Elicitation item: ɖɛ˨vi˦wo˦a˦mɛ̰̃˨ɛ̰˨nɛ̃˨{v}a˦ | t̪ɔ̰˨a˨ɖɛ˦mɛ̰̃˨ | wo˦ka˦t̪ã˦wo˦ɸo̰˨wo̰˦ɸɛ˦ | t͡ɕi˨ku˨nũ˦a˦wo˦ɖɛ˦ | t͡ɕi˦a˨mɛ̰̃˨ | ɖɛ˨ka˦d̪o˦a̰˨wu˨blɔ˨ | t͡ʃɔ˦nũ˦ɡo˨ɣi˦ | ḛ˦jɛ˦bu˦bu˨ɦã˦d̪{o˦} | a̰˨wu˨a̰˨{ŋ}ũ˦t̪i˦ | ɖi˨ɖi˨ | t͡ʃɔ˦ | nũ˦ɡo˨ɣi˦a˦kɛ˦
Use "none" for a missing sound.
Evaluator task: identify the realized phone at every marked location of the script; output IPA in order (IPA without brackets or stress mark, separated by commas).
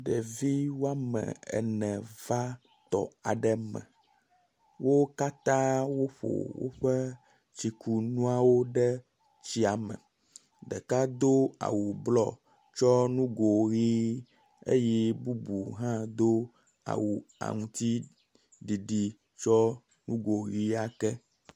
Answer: v, o˦, ŋ